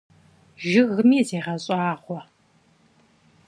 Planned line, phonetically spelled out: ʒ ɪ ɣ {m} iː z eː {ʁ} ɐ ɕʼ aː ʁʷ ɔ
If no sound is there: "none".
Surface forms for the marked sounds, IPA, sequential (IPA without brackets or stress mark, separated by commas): m, ʁ